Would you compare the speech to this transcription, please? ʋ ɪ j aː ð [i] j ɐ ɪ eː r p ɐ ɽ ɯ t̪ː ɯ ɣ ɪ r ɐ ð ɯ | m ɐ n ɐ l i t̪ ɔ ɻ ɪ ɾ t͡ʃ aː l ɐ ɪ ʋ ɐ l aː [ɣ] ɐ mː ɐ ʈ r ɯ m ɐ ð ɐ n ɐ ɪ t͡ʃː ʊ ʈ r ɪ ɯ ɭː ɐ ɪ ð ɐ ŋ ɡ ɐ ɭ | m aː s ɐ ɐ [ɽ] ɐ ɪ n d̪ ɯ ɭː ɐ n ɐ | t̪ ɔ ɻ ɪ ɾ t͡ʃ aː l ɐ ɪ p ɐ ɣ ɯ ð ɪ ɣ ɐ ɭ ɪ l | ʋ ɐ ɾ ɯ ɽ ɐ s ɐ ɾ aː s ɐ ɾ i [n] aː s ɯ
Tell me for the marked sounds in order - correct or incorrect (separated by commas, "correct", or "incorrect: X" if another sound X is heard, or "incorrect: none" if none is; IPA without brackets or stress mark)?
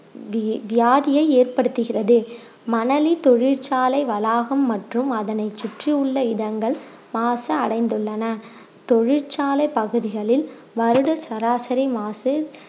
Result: incorrect: ɪ, correct, correct, incorrect: m